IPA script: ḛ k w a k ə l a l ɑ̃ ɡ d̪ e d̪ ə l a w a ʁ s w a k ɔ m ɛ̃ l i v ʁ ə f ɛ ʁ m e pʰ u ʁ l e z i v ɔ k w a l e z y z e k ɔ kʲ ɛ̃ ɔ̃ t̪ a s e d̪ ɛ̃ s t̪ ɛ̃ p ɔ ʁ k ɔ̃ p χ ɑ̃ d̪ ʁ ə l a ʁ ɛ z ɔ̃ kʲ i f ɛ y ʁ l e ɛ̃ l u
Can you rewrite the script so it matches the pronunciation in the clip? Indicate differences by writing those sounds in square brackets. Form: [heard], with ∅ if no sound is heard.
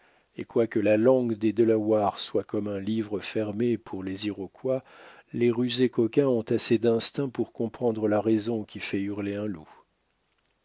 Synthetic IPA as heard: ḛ k w a k ə l a l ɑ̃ ɡ d̪ e d̪ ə l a w a ʁ s w a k ɔ m ɛ̃ l i v ʁ ə f ɛ ʁ m e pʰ u ʁ l e z i [ʁ] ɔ k w a l e [ʁ] y z e k ɔ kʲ ɛ̃ ɔ̃ t̪ a s e d̪ ɛ̃ s t̪ ɛ̃ p [u] ʁ k ɔ̃ p χ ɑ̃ d̪ ʁ ə l a ʁ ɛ z ɔ̃ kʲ i f ɛ y ʁ l e ɛ̃ l u

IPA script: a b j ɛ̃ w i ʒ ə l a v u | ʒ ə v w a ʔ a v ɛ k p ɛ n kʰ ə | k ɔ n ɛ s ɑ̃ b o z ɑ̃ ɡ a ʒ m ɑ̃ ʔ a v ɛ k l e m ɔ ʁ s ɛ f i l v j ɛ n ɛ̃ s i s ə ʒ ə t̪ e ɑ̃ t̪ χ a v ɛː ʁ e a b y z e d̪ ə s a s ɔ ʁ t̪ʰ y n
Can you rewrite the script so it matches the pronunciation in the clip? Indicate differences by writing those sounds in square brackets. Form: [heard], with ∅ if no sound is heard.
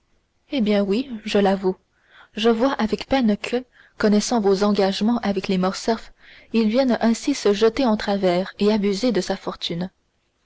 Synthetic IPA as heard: [e] b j ɛ̃ w i ʒ ə l a v u | ʒ ə v w a ʔ a v ɛ k p ɛ n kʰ ə | k ɔ n ɛ s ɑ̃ [v] o z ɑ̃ ɡ a ʒ m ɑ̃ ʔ a v ɛ k l e m ɔ ʁ s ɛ f i l v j ɛ n ɛ̃ s i s ə ʒ ə t̪ e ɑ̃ t̪ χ a v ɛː ʁ e a b y z e d̪ ə s a [f] ɔ ʁ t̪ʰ y n

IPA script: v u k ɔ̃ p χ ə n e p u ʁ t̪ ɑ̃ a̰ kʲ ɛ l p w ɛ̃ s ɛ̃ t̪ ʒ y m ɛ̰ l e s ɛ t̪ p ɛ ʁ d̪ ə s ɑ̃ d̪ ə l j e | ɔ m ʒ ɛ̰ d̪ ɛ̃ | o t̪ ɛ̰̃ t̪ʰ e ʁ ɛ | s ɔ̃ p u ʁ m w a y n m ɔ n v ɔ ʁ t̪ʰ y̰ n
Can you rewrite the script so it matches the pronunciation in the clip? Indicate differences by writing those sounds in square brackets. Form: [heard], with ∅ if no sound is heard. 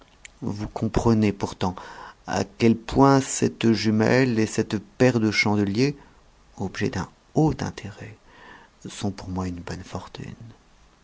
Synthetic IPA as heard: v u k ɔ̃ p χ ə n e p u ʁ t̪ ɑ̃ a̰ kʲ ɛ l p w ɛ̃ s [ɛ] t̪ ʒ y m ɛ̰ l e s ɛ t̪ p ɛ ʁ d̪ ə [ʃ] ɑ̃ d̪ ə l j e | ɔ [b] ʒ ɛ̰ d̪ ɛ̃ | o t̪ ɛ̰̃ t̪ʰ e ʁ ɛ | s ɔ̃ p u ʁ m w a y n [b] ɔ n [f] ɔ ʁ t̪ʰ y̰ n

